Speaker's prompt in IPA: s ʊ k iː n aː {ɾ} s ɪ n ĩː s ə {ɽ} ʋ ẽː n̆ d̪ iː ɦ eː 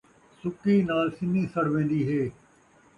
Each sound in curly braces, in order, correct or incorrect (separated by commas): incorrect, correct